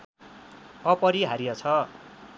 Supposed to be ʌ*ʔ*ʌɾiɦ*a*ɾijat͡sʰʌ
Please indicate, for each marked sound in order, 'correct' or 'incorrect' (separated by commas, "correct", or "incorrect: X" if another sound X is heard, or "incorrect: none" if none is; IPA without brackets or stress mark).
incorrect: p, correct